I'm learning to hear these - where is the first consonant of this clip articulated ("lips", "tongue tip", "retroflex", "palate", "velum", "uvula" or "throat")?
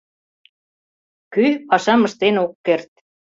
velum